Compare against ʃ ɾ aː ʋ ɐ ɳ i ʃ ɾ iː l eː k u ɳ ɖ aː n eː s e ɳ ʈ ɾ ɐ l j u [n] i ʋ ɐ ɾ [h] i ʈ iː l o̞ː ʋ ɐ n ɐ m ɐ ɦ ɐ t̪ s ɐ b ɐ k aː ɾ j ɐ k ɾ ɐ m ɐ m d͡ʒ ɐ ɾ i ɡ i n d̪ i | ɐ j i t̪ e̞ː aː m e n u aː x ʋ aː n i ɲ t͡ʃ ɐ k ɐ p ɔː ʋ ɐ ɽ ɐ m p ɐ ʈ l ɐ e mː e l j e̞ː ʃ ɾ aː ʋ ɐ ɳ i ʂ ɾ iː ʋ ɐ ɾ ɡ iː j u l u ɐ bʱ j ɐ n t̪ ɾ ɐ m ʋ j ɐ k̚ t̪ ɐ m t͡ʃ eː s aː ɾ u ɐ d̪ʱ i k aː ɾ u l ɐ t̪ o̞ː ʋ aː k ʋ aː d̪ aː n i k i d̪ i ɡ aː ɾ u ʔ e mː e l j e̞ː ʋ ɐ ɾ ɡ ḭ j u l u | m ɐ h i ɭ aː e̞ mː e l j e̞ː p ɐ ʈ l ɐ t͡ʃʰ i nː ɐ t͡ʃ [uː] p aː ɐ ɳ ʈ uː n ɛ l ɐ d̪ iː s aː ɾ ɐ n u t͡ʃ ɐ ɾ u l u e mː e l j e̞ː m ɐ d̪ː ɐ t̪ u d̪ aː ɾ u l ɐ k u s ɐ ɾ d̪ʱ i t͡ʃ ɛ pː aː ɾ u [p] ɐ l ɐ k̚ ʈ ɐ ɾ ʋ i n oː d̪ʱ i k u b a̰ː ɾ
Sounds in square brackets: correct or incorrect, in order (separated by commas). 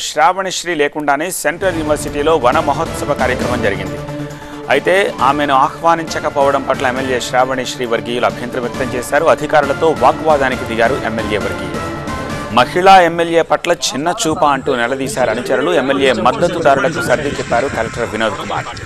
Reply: correct, incorrect, correct, incorrect